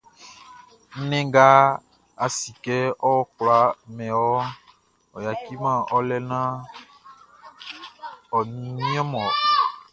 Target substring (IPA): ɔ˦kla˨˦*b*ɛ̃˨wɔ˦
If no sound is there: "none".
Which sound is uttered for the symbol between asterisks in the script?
m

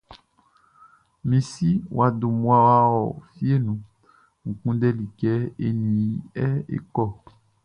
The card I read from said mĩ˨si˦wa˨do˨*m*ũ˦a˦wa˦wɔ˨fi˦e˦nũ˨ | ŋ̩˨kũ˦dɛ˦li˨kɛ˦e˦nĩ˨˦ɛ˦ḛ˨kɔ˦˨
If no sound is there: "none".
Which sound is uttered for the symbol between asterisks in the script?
m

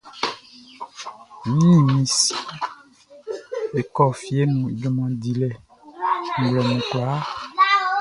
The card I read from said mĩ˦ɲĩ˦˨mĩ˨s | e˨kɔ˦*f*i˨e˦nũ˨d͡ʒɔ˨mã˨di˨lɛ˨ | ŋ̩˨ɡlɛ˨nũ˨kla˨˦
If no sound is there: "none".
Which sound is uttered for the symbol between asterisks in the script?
f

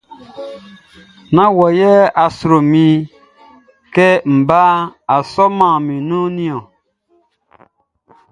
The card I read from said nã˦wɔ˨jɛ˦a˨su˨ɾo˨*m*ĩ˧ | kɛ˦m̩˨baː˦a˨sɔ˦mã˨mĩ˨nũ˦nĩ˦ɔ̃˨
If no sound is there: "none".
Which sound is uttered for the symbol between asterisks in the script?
m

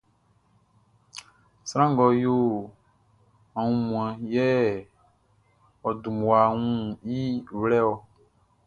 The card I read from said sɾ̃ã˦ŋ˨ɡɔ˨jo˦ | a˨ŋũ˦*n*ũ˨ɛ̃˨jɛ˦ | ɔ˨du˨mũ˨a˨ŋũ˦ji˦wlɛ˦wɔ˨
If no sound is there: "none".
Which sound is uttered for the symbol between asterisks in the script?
m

